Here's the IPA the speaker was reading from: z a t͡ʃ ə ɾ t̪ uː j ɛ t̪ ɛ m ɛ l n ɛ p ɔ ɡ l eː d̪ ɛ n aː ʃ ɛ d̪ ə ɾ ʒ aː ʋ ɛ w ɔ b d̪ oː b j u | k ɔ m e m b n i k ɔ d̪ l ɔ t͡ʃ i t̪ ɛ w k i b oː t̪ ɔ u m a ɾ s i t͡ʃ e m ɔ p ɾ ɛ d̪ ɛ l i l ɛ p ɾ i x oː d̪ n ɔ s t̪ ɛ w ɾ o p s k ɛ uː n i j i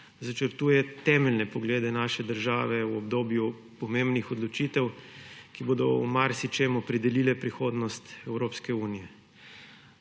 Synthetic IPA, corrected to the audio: z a t͡ʃ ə ɾ t̪ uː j ɛ t̪ ɛ m ɛ l n ɛ p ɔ ɡ l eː d̪ ɛ n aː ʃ ɛ d̪ ə ɾ ʒ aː ʋ ɛ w ɔ b d̪ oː b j u | p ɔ m e m b n i x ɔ d̪ l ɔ t͡ʃ i t̪ ɛ w k i b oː d̪ ɔ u m a ɾ s i t͡ʃ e m ɔ p ɾ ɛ d̪ ɛ l i l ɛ p ɾ i x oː d̪ n ɔ s t̪ ɛ w ɾ o p s k ɛ uː n i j ɛ

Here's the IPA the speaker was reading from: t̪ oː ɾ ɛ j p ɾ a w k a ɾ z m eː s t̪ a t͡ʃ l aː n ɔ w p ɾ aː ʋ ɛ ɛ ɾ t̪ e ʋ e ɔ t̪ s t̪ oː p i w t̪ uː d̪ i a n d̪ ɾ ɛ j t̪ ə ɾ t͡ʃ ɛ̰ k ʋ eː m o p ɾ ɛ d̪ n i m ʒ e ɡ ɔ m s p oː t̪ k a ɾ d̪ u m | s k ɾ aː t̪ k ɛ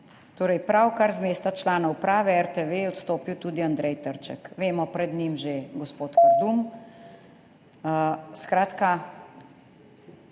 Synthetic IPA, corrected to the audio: t̪ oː ɾ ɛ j p ɾ a w k a ɾ z m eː s t̪ a t͡ʃ l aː n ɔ w p ɾ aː ʋ ɛ ɛ ɾ t̪ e ʋ e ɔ t̪ s t̪ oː p i w t̪ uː d̪ i a n d̪ ɾ ɛ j t̪ ə ɾ t͡ʃ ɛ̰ k ʋ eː m ɔ p ɾ ɛ d̪ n i m ʒ e ɡ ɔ s p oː t̪ k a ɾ d̪ u m | s k ɾ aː t̪ k a

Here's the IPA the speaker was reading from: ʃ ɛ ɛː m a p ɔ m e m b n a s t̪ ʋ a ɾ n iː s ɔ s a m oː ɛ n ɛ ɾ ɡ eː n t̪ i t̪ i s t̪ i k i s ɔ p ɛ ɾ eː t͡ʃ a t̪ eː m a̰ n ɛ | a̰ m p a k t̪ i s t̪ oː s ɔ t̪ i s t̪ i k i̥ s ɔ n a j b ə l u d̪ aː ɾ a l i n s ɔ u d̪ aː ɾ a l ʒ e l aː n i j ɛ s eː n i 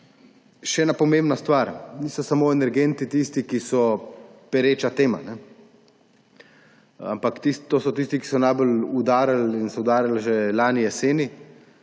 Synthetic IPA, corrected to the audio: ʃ ɛ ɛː n a p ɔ m e m b n a s t̪ ʋ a ɾ n iː s ɔ s a m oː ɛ n ɛ ɾ ɡ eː n t̪ i t̪ i s t̪ i k i s ɔ p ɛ ɾ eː t͡ʃ a t̪ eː m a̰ n ɛ | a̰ m p a k t̪ i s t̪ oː s ɔ t̪ i s t̪ i k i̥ s ɔ n a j b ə l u d̪ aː ɾ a l i n s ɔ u d̪ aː ɾ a l ʒ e l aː n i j ɛ s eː n i

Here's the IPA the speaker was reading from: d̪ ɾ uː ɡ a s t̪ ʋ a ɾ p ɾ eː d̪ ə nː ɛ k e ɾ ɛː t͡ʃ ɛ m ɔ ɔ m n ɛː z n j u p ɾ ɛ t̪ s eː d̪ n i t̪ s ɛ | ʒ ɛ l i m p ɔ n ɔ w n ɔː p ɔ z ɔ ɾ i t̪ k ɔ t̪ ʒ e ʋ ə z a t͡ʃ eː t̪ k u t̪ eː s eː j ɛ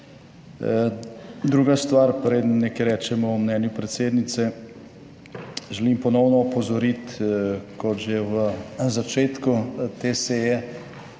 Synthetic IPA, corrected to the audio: d̪ ɾ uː ɡ a s t̪ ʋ a ɾ p ɾ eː d̪ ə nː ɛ k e ɾ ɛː t͡ʃ ɛ m ɔ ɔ m n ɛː n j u p ɾ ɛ t̪ s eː d̪ n i t̪ s ɛ | ʒ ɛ l i m p ɔ n ɔ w n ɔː p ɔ z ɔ ɾ i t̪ k ɔ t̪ ʒ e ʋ ə z a t͡ʃ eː t̪ k u t̪ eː s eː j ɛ

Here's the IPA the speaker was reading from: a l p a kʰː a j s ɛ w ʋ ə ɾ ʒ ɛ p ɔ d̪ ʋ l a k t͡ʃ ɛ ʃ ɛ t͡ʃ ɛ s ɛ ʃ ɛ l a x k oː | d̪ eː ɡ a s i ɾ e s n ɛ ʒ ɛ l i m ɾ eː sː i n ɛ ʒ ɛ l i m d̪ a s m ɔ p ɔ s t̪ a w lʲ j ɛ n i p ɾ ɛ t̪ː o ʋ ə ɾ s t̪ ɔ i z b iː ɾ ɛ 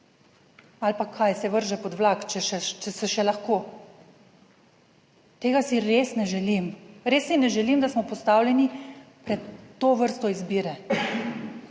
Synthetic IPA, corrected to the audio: a l p a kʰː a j s ɛ ʋ ə ɾ ʒ ɛ p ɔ d̪ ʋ l a k t͡ʃ ɛ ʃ ɛ t͡ʃ ɛ s ɛ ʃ ɛ l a x k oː | t̪ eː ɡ a s i ɾ e s n ɛ ʒ ɛ l i m ɾ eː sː i n ɛ ʒ ɛ l i m d̪ a s m ɔ p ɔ s t̪ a w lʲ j ɛ n i p ɾ ɛ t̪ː o ʋ ə ɾ s t̪ ɔ i z b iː ɾ ɛ

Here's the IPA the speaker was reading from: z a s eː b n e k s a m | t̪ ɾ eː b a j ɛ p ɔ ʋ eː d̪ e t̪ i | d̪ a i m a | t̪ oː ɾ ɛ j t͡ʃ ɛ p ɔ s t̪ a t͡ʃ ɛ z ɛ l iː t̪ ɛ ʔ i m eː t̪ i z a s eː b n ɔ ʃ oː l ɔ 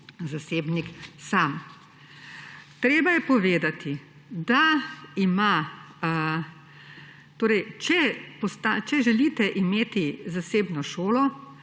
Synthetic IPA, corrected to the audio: z a s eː b n i k s a m | t̪ ɾ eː b a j ɛ p ɔ ʋ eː d̪ a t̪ i | d̪ a i m a | t̪ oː ɾ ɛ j t͡ʃ ɛ p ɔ s t̪ a t͡ʃ ɛ ʒ ɛ l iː t̪ ɛ ʔ i m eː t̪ i z a s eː b n ɔ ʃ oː l ɔ

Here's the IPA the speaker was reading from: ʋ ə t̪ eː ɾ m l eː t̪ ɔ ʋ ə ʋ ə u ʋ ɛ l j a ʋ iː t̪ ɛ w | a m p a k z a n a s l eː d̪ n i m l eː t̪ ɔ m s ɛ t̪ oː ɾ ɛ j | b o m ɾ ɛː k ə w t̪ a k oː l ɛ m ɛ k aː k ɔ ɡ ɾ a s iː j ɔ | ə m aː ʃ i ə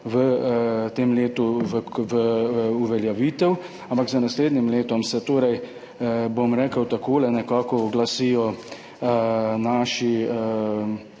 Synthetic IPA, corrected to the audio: ʋ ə t̪ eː m l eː t̪ u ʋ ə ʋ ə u ʋ ɛ l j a ʋ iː t̪ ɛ w | a m p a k z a n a s l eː d̪ n i m l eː t̪ ɔ m s ɛ t̪ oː ɾ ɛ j | b o m ɾ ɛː k ə w t̪ a k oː l ɛ n ɛ k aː k ɔ ɡ l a s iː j ɔ | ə n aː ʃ i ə

